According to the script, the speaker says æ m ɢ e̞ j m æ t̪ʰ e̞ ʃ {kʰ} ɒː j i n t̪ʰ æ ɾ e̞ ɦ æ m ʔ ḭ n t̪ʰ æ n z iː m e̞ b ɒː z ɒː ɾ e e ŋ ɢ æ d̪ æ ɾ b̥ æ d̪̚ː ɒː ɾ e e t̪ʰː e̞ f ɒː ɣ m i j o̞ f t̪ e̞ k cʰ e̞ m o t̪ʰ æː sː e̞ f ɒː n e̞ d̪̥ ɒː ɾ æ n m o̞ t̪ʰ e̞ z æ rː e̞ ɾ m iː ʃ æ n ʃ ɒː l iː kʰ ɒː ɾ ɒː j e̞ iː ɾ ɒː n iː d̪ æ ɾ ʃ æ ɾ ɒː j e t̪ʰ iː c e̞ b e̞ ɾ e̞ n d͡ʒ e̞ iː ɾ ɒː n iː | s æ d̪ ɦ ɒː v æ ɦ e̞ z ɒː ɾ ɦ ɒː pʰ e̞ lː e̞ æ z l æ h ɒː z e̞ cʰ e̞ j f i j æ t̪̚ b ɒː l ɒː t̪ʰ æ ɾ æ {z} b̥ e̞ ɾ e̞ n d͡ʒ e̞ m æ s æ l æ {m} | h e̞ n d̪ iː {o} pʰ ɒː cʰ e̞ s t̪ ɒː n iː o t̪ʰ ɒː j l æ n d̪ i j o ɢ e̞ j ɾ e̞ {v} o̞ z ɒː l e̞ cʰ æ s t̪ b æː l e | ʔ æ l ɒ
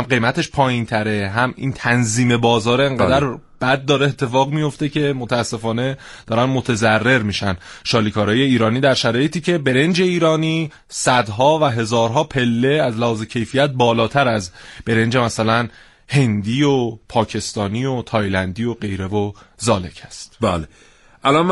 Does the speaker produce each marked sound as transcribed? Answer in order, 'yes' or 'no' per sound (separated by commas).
no, yes, no, yes, yes